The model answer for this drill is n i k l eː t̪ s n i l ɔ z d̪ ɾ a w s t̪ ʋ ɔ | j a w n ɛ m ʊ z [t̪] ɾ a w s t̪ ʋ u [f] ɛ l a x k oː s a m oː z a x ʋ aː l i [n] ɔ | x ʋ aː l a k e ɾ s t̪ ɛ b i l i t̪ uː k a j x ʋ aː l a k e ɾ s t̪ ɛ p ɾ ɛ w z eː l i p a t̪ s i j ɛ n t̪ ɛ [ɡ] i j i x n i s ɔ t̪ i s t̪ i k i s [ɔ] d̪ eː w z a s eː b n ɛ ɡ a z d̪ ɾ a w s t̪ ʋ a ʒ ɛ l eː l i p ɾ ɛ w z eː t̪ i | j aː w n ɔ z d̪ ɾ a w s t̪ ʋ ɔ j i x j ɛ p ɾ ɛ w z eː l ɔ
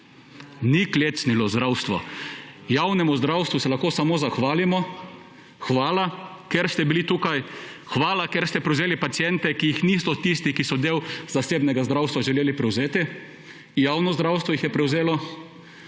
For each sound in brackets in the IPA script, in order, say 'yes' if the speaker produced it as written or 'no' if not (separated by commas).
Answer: no, no, no, no, yes